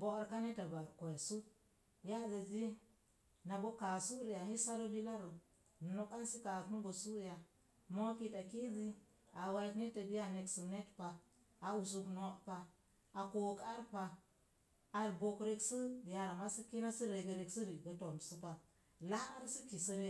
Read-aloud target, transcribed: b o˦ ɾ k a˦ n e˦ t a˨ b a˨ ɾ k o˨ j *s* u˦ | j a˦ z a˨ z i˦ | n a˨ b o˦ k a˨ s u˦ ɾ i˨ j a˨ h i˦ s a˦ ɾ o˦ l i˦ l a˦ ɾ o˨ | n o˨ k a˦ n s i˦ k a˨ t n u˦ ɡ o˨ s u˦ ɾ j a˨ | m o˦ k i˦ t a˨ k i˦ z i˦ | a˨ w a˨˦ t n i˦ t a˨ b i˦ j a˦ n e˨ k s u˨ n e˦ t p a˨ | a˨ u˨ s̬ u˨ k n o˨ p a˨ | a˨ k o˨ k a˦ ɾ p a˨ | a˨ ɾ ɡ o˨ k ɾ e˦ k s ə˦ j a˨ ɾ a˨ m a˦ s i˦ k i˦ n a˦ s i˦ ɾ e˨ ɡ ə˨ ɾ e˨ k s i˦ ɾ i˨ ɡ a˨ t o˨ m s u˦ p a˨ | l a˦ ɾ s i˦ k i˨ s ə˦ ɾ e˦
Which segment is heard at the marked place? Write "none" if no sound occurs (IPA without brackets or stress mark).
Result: s